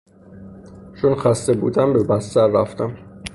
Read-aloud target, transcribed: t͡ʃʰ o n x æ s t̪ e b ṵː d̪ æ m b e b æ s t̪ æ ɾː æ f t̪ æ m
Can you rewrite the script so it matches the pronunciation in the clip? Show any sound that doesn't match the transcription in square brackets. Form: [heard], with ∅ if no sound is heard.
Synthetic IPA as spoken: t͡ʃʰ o n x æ s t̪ e b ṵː d̪ æ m b e b æ s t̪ æ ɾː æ f t̪ æ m